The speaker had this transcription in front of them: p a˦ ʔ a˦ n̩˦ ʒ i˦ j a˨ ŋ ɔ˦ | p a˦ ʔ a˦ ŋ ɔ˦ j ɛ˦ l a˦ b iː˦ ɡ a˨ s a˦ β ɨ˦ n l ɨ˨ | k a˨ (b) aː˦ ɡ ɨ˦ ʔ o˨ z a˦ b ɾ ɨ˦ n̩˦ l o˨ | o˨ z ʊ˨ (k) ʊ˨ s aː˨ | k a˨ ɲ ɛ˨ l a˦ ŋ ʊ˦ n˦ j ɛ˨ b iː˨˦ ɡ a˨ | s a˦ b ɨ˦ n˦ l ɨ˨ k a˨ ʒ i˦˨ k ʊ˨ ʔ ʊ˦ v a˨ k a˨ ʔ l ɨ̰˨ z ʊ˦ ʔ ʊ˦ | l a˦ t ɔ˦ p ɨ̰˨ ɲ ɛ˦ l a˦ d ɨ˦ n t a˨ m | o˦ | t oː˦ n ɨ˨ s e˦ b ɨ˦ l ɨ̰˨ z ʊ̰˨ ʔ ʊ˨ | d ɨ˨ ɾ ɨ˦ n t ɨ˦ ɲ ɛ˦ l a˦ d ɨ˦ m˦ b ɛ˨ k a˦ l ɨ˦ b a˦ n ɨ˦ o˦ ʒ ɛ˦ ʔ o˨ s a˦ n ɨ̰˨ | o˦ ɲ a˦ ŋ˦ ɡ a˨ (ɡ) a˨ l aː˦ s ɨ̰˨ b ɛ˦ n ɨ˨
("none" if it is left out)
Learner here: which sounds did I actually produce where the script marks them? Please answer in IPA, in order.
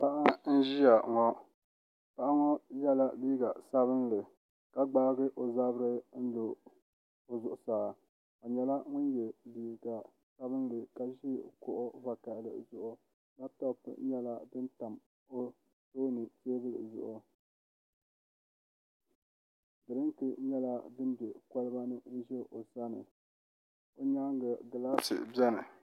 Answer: ɡ͡b, ʔ, ɡ

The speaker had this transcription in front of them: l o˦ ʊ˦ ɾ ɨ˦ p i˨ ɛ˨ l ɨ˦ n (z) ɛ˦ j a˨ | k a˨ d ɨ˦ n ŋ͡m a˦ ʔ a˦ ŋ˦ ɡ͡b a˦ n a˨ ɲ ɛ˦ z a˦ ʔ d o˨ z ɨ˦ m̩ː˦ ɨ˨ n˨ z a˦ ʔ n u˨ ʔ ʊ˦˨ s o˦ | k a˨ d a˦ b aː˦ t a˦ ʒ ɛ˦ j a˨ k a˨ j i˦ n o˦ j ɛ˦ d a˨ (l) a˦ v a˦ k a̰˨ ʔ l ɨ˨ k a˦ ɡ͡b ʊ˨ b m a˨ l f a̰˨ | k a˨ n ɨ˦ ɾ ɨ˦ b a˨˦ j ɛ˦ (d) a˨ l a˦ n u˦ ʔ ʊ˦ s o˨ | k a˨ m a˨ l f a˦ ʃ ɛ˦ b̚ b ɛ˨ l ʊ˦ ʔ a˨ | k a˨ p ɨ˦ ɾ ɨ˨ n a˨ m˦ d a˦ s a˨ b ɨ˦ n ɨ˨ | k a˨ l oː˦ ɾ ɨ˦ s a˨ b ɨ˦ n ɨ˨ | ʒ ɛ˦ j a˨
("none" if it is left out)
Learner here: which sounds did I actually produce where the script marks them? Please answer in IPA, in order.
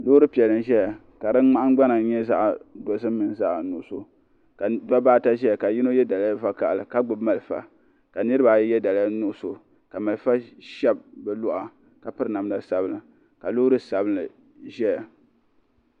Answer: ʒ, l, d

